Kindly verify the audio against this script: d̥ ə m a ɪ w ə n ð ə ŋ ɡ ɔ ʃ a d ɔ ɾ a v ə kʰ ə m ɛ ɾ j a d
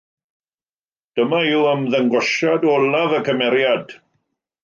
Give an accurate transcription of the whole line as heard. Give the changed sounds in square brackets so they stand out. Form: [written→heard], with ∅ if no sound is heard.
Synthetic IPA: d̥ ə m a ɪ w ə [n→m] ð ə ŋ ɡ ɔ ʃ a d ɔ [ɾ→l] a v ə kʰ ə m ɛ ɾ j a d